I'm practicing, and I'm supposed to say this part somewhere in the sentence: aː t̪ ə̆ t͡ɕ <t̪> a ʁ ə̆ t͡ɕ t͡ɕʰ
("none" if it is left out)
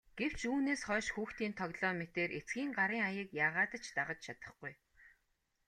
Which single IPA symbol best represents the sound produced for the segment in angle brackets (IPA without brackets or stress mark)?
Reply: t̪